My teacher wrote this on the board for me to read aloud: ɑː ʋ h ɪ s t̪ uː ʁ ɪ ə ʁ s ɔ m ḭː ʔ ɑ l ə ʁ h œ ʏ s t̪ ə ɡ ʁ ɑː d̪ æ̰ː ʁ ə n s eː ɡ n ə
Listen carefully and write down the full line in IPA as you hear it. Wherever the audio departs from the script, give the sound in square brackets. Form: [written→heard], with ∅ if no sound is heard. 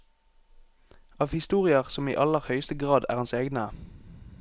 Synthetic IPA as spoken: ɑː ʋ h ɪ s t̪ uː ʁ ɪ ə ʁ s ɔ m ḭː ʔ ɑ l ə ʁ h œ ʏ s t̪ ə ɡ ʁ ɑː d̪ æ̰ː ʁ [ə→ɑ] n s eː ɡ n ə